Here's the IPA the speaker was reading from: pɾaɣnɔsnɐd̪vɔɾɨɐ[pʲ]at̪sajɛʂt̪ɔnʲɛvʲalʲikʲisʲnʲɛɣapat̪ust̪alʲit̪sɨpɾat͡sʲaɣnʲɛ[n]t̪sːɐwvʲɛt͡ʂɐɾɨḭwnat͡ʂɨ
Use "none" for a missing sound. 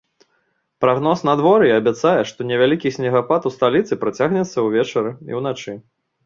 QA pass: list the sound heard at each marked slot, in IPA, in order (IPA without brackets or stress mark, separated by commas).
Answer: bʲ, none